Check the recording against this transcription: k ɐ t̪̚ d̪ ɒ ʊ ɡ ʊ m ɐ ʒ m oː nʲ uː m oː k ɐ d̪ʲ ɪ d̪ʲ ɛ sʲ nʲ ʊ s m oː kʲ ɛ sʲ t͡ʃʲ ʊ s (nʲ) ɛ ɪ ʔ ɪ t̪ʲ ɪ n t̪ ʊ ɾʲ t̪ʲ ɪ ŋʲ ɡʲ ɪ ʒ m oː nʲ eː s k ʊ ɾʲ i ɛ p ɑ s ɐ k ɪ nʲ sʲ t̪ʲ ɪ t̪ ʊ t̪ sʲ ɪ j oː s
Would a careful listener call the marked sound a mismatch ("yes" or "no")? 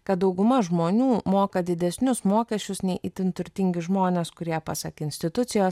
no